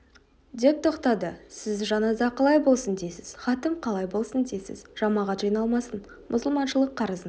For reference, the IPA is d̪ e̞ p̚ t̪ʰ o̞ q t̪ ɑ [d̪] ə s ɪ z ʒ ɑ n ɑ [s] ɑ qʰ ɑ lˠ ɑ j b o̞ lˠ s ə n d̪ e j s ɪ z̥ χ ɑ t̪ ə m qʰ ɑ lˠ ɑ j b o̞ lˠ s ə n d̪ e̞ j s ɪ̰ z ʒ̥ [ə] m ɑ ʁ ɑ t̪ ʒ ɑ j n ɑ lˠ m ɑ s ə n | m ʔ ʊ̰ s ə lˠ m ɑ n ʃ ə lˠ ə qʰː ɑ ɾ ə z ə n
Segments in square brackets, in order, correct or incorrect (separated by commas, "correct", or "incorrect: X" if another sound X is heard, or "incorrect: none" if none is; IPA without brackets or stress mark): correct, incorrect: z, incorrect: ɑ